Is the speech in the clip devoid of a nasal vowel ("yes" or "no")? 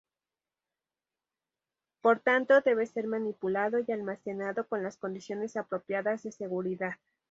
yes